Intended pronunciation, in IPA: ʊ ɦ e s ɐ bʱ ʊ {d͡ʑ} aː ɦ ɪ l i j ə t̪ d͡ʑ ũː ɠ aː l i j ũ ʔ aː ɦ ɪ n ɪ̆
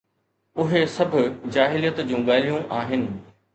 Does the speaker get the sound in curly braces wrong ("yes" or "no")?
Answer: no